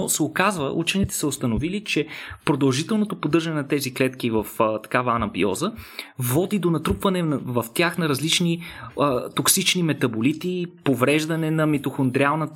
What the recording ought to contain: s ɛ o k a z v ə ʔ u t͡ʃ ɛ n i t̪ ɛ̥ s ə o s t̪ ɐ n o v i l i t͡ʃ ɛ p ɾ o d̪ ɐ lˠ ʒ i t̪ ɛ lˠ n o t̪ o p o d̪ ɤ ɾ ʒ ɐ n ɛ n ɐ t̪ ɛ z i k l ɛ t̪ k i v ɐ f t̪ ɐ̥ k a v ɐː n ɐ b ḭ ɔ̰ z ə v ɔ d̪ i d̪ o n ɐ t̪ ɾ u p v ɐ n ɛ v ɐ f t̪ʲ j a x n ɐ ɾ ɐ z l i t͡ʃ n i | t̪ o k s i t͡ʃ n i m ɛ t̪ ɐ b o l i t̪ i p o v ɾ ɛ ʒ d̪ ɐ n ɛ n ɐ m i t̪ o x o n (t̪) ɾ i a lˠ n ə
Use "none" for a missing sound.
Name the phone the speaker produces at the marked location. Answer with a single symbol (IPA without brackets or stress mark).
d̪